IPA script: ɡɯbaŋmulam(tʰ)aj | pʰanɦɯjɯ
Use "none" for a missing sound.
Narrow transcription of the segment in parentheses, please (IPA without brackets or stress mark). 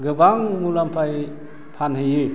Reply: pʰ